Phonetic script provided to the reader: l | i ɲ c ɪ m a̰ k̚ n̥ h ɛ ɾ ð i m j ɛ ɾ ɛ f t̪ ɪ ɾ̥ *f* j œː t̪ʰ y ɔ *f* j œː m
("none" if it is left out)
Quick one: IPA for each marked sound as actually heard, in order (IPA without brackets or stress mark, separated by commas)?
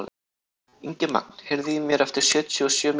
s, s